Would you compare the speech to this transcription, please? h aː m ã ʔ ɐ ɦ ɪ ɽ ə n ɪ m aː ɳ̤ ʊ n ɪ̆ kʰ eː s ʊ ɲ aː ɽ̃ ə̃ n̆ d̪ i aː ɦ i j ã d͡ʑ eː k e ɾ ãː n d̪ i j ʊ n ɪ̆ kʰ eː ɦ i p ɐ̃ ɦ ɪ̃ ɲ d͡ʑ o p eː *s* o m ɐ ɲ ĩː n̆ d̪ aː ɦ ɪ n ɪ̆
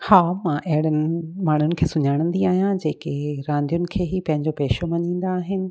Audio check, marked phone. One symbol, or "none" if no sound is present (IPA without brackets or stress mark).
ʃ